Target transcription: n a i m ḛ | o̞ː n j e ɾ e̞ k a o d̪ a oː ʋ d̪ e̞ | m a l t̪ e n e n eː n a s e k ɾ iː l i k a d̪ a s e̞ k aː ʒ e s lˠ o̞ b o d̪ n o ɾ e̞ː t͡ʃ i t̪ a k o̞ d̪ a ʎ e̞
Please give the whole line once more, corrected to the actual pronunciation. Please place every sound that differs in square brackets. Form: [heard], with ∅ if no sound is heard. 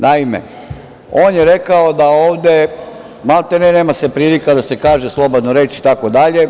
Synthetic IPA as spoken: n a i m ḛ | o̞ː n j e ɾ e̞ k a o d̪ a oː ʋ d̪ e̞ | m a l t̪ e n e n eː [m] a s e [p] ɾ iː l i k a d̪ a s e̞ k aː ʒ e s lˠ o̞ b o d̪ n o ɾ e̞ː t͡ʃ i t̪ a k o̞ d̪ a ʎ e̞